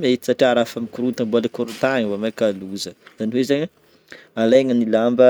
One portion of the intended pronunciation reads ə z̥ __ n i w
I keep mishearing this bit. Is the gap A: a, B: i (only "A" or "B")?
A